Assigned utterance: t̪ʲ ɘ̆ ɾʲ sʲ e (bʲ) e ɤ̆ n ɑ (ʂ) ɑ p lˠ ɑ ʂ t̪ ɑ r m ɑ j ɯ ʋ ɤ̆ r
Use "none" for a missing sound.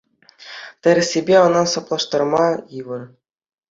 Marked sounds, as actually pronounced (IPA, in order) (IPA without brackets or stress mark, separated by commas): bʲ, s